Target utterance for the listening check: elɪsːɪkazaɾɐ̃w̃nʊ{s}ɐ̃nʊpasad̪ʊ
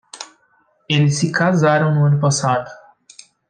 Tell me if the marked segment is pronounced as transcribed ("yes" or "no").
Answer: no